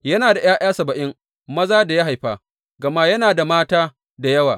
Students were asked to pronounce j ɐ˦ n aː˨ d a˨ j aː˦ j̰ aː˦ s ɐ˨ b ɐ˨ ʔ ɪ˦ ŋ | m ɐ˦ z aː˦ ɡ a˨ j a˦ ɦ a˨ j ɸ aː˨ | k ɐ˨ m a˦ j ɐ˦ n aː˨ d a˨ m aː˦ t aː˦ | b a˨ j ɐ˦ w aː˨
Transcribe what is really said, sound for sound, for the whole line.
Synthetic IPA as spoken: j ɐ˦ n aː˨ d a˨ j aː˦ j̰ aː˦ s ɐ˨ b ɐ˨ ʔ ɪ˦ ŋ | m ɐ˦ z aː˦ d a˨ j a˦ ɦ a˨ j ɸ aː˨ | ɡ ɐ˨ m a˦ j ɐ˦ n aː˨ d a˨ m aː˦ t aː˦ | d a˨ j ɐ˦ w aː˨